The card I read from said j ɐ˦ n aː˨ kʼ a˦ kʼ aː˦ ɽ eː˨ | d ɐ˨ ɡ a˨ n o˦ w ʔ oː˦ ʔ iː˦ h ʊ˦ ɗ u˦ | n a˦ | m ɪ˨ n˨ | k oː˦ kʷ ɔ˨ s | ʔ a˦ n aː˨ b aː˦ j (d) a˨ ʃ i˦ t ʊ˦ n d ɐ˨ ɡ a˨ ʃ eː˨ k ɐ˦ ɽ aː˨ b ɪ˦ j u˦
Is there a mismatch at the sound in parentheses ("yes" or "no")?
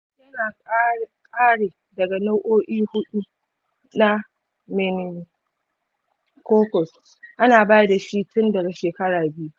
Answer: no